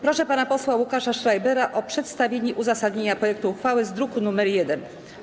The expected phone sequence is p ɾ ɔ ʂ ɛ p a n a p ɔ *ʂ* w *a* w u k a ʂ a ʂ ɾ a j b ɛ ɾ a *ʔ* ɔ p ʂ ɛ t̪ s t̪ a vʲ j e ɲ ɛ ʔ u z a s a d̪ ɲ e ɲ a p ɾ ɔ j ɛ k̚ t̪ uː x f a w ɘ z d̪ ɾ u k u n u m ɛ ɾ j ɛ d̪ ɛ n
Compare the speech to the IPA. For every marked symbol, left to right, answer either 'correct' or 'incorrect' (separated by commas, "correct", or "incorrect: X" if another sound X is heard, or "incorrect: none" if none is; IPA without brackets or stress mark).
incorrect: s, correct, correct